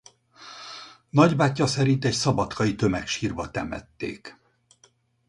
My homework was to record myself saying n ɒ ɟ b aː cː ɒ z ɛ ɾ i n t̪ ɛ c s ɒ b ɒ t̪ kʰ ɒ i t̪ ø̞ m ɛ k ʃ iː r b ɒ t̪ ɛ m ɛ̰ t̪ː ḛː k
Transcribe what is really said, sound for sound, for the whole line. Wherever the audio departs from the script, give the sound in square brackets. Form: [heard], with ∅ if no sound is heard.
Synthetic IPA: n ɒ ɟ b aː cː ɒ [s] ɛ ɾ i n t̪ ɛ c s ɒ b ɒ t̪ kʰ ɒ i t̪ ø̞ m ɛ k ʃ iː r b ɒ t̪ ɛ m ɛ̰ t̪ː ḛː k